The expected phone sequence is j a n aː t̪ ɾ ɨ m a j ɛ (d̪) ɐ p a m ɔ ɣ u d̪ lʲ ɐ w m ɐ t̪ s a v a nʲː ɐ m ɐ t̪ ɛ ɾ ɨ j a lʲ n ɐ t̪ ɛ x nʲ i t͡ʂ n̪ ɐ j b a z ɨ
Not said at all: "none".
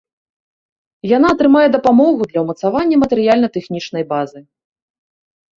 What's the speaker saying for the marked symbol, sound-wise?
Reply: d̪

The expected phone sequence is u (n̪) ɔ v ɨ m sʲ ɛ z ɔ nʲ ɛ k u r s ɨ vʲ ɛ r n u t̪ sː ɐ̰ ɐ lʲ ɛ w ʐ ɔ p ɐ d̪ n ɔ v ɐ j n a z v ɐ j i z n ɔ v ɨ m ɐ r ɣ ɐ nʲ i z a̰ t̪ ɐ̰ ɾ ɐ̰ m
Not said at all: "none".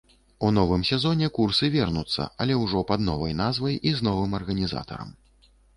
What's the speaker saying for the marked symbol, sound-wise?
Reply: n̪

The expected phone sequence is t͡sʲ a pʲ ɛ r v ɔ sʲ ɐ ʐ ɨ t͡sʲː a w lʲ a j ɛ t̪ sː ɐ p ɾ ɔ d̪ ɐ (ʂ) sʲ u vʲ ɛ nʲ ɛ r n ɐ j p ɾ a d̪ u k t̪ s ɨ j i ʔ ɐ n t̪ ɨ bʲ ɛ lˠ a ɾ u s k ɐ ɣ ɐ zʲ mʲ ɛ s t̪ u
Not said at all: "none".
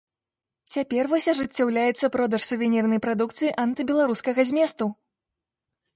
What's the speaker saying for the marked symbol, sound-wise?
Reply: ʂ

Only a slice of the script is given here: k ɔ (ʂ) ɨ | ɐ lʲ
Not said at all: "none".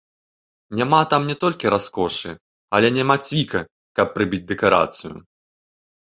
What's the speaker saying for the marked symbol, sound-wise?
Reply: ʂ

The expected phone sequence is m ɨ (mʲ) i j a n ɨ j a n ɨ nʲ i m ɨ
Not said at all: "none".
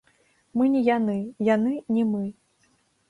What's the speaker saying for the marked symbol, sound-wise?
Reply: nʲ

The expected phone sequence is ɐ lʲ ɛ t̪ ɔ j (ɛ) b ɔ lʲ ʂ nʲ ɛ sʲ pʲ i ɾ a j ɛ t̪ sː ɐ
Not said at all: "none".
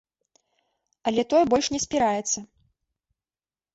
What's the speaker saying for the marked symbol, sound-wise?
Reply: ɛ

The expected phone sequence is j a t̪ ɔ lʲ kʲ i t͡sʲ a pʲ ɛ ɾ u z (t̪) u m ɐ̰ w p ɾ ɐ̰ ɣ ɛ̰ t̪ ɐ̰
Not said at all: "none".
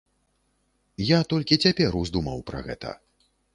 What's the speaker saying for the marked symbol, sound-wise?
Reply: d̪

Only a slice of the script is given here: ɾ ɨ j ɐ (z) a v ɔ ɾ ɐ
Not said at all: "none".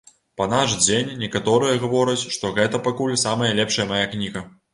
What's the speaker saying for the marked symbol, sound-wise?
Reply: ɣ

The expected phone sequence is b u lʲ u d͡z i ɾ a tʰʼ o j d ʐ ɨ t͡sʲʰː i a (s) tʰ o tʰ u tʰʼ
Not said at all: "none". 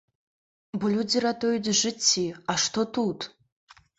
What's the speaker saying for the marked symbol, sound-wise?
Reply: ʂ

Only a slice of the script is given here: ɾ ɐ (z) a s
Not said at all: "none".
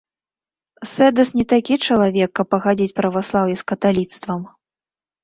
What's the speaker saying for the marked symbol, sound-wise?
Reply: v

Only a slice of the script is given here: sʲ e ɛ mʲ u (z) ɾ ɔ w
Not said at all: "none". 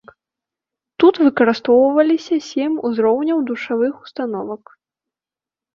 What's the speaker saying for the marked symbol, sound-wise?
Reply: z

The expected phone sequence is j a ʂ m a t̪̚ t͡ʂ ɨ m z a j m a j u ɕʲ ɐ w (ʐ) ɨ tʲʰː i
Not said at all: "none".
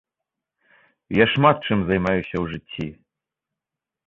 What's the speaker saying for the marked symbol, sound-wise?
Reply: ʐ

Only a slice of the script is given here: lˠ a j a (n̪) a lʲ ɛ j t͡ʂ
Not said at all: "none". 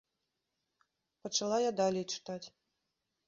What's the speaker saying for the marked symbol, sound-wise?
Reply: d̪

